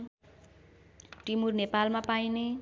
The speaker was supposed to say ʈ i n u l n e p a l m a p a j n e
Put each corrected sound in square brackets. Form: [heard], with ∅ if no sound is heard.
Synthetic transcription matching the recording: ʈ i [m] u [r] n e p a l m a p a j n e